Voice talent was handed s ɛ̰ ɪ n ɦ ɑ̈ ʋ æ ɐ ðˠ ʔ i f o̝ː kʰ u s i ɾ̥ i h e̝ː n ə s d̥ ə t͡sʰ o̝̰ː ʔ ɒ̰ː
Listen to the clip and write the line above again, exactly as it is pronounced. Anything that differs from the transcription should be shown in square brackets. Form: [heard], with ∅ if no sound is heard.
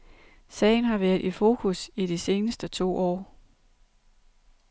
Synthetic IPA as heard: s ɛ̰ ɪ n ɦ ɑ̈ ʋ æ ɐ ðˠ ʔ i f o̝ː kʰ u s i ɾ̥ i [s] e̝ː n ə s d̥ ə t͡sʰ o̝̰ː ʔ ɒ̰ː

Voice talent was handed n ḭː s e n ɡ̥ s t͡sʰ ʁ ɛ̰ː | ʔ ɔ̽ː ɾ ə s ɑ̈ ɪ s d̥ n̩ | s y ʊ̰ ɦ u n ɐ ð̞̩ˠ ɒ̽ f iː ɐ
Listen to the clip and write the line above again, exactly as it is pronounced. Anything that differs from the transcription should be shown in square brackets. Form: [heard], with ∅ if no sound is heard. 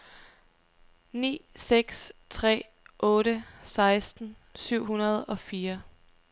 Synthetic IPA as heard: n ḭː s e [∅] ɡ̥ s t͡sʰ ʁ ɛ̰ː | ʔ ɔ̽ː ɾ ə s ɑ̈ ɪ s d̥ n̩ | s y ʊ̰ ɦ u n ɐ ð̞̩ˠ ɒ̽ f iː ɐ

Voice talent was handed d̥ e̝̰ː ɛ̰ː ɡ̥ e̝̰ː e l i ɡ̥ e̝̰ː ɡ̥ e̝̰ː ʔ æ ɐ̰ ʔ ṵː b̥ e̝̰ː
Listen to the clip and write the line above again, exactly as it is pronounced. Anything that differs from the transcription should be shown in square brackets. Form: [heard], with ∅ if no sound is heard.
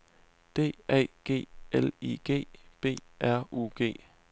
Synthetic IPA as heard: d̥ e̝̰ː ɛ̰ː ɡ̥ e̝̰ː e l i ɡ̥ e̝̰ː [b̥] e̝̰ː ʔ æ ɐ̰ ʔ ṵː [ɡ̥] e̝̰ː

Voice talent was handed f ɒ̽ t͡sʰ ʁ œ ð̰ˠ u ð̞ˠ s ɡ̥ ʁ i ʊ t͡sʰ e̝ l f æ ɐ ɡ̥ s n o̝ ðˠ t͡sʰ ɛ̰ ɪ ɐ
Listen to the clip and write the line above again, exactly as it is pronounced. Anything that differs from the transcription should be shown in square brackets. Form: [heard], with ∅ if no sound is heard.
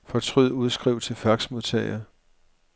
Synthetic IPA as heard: f ɒ̽ t͡sʰ ʁ [y] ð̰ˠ u ð̞ˠ s ɡ̥ ʁ i ʊ t͡sʰ e̝ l f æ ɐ ɡ̥ s [m] o̝ ðˠ t͡sʰ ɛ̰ ɪ ɐ

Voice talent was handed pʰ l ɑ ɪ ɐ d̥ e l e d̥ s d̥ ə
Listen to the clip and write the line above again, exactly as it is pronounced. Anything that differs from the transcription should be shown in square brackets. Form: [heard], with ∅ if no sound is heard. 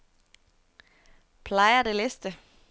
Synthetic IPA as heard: pʰ l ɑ ɪ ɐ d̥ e l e [∅] s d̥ ə

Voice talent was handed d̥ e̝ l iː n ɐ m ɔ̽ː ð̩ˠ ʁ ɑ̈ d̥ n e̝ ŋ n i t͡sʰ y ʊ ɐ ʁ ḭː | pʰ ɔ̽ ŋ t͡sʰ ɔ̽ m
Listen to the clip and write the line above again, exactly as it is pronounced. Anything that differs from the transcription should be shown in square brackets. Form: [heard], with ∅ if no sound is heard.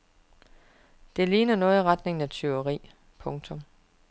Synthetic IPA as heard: d̥ e̝ l iː n ɐ [n] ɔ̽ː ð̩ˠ ʁ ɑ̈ d̥ n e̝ ŋ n [æ] t͡sʰ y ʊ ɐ ʁ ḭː | pʰ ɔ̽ ŋ t͡sʰ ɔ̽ m

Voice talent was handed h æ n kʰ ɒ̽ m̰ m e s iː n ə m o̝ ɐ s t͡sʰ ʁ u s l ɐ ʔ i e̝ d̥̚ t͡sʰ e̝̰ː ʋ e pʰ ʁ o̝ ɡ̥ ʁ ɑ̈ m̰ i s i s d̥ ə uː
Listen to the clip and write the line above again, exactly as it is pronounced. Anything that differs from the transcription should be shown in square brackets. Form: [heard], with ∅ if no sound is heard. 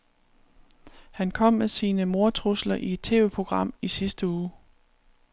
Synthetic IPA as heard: h æ n kʰ ɒ̽ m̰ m e s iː n ə m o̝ ɐ [∅] t͡sʰ ʁ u s l ɐ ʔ i e̝ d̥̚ t͡sʰ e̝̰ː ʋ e pʰ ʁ o̝ ɡ̥ ʁ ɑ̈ m̰ i s i s d̥ ə uː

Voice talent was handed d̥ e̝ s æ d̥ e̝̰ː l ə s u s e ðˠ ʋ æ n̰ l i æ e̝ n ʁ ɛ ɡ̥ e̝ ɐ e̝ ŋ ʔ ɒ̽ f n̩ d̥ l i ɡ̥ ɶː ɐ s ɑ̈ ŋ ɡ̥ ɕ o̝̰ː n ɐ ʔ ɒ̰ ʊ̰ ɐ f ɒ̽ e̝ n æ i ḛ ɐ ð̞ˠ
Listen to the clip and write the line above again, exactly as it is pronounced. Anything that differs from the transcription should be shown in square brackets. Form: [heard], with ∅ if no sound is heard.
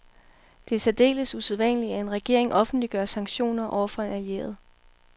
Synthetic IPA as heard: d̥ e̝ s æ d̥ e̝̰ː l ə s u s e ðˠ ʋ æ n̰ l i æ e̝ n ʁ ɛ ɡ̥ e̝ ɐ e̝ ŋ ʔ ɒ̽ f n̩ d̥ l i ɡ̥ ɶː ɐ s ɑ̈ ŋ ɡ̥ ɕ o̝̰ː n ɐ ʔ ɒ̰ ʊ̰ ɐ f ɒ̽ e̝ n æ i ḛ ɐ ð̞ˠ

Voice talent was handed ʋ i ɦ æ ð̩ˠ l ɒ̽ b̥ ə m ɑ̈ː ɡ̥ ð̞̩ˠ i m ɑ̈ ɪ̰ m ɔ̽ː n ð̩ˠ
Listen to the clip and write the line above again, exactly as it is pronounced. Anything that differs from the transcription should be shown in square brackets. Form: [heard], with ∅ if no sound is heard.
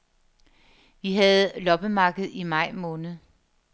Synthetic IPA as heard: ʋ i ɦ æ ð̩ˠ l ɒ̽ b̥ ə m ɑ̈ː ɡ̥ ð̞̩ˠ i m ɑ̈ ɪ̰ m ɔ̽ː n ð̩ˠ

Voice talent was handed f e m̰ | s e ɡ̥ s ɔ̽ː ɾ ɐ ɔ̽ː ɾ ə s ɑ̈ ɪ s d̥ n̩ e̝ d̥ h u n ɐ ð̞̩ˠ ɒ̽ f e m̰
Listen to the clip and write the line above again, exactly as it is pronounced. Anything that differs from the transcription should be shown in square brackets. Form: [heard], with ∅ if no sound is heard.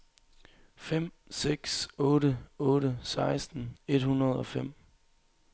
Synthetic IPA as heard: f e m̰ | s e ɡ̥ s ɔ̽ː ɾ [ə] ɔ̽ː ɾ ə s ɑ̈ ɪ s d̥ n̩ e̝ d̥ h u n ɐ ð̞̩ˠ ɒ̽ f e m̰

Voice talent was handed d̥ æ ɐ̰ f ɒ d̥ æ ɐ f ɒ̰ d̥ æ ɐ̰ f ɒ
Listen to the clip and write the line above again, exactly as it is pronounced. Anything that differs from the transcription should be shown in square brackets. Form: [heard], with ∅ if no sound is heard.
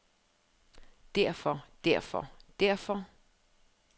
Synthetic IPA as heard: d̥ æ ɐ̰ f ɒ d̥ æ ɐ f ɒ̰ d̥ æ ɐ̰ f ɒ

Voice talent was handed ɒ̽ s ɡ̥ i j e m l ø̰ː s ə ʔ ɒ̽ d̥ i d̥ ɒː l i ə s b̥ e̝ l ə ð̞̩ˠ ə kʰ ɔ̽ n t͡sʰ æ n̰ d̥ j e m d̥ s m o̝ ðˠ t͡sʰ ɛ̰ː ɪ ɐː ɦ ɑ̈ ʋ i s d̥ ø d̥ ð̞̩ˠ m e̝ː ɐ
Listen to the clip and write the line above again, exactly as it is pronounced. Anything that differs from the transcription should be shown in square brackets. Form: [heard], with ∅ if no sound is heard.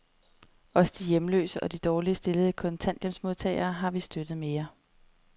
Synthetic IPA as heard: ɒ̽ s [d̥] i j e m l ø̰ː s ə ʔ ɒ̽ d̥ i d̥ ɒː l i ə s [d̥] e̝ l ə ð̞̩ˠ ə kʰ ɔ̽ n t͡sʰ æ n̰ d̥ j e m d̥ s m o̝ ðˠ t͡sʰ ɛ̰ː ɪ ɐː ɦ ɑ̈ ʋ i s d̥ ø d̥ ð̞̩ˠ m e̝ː ɐ

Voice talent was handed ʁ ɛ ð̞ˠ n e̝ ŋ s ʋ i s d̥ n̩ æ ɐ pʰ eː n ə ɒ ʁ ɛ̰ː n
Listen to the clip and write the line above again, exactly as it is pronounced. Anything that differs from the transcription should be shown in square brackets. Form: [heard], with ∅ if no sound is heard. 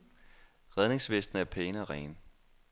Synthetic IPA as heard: ʁ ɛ ð̞ˠ n e̝ ŋ s ʋ [e] s d̥ n̩ æ ɐ pʰ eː n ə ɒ ʁ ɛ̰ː n

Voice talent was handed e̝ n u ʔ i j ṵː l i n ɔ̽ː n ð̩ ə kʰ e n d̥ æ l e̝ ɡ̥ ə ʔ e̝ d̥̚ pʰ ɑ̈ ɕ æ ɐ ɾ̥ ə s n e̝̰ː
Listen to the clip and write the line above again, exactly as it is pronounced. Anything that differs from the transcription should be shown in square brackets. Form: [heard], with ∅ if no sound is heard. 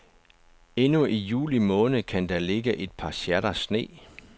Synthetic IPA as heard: e̝ n u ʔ i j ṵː l i [m] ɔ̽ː n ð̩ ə kʰ [æ] n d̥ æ l e̝ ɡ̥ ə ʔ e̝ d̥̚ pʰ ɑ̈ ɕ æ ɐ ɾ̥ [ɐ] s n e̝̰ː

